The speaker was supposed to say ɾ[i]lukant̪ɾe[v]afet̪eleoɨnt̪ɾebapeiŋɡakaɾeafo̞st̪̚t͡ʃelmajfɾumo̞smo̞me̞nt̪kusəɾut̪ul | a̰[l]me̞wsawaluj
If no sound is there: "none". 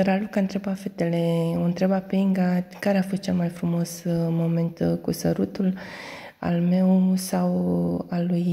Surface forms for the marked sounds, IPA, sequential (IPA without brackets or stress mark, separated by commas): a, b, l